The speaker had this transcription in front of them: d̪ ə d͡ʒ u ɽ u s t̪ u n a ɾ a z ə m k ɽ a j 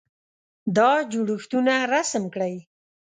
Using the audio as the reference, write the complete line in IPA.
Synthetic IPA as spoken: d̪ ɑ d͡ʒ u ɽ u x t̪ u n a ɾ a s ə m k ɽ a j